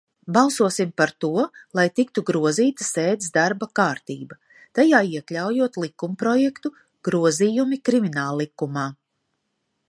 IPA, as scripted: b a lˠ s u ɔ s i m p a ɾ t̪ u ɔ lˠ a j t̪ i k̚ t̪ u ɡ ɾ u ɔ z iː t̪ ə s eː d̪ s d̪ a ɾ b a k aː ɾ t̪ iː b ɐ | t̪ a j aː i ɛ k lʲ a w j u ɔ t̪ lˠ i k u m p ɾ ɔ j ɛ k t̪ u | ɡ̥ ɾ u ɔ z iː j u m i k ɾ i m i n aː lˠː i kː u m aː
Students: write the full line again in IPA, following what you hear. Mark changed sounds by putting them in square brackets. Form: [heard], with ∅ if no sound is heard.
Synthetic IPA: b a lˠ s u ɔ s i m p a ɾ t̪ u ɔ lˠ a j t̪ i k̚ t̪ u ɡ ɾ u ɔ z iː t̪ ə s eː d̪ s d̪ a ɾ b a k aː ɾ t̪ iː b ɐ | t̪ a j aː i ɛ k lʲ a w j u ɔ t̪ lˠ i k u m p ɾ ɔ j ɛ k t̪ u | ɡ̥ ɾ u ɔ z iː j u m i k ɾ i m i n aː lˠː i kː u m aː

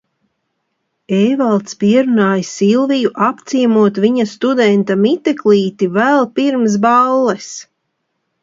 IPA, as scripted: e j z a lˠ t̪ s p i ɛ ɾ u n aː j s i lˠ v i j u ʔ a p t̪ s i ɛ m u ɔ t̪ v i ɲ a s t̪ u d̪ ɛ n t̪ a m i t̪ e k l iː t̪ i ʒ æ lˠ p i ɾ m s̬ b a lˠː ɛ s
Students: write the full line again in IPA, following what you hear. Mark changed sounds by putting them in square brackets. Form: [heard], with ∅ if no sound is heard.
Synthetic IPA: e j [v] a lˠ t̪ s p i ɛ ɾ u n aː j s i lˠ v i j u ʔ a p t̪ s i ɛ m u ɔ t̪ v i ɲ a s t̪ u d̪ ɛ n t̪ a m i t̪ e k l iː t̪ i [v] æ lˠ p i ɾ m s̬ b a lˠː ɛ s

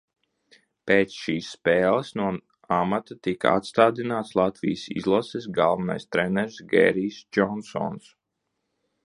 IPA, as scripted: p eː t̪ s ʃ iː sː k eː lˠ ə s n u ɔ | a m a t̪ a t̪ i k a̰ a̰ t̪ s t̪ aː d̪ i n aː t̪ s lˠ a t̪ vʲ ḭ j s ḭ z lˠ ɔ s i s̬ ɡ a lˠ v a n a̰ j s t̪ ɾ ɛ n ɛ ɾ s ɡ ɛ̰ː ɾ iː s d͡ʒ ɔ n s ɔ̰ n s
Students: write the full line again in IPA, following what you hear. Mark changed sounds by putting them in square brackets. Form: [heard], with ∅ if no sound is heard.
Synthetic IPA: p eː t̪ s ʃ iː sː [p] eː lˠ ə s n u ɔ | a m a t̪ a t̪ i k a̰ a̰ t̪ s t̪ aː d̪ i n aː t̪ s lˠ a t̪ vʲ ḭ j s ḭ z lˠ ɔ s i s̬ ɡ a lˠ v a n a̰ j s t̪ ɾ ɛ n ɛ ɾ s ɡ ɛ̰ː ɾ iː s d͡ʒ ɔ n s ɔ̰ n s

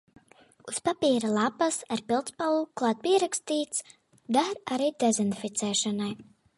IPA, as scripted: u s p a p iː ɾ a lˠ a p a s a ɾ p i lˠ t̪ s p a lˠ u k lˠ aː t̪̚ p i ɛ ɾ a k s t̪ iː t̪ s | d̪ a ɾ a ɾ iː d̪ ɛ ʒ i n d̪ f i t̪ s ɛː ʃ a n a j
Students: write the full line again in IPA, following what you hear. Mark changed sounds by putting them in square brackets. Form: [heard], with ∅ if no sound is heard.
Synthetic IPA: u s p a p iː ɾ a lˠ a p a s a ɾ p i lˠ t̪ s p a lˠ u k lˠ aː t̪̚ p i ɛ ɾ a k s t̪ iː t̪ s | d̪ a ɾ a ɾ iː d̪ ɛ [z] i n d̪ f i t̪ s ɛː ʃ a n a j

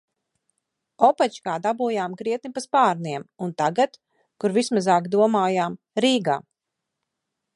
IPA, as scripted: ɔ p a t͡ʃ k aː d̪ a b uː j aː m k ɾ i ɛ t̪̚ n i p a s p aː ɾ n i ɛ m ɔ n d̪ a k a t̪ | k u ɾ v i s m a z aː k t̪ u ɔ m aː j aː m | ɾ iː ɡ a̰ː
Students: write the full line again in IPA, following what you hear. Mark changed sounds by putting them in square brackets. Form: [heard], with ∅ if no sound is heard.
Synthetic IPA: ɔ p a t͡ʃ k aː d̪ a b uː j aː m k ɾ i ɛ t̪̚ n i p a s p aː ɾ n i ɛ m [u] n [t̪] a [ɡ] a t̪ | k u ɾ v i s m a z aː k [d̪] u ɔ m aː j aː m | ɾ iː ɡ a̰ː

